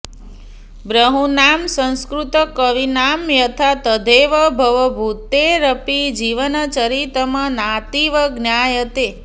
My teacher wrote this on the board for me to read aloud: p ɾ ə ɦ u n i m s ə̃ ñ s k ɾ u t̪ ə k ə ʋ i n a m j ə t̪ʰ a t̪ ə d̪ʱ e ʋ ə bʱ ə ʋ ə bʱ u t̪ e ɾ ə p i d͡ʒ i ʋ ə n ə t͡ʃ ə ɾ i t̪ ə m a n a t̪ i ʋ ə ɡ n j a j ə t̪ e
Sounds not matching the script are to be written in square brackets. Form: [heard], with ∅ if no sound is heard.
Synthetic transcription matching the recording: [b] ɾ ə ɦ u n [a] m s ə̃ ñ s k ɾ u t̪ ə k ə ʋ i n a m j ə t̪ʰ a t̪ ə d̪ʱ e ʋ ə bʱ ə ʋ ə bʱ u t̪ e ɾ ə p i d͡ʒ i ʋ ə n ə t͡ʃ ə ɾ i t̪ ə m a n a t̪ i ʋ ə ɡ n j a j ə t̪ e